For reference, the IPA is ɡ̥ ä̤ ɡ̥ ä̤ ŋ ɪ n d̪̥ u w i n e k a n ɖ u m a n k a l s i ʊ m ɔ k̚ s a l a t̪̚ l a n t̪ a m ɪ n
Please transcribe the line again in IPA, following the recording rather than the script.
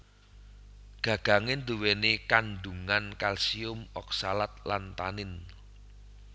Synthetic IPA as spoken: ɡ̥ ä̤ ɡ̥ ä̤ ŋ ɪ n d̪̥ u w e n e k a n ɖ u ŋ a n k a l s i ʊ m ɔ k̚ s a l a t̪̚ l a n t̪ a n ɪ n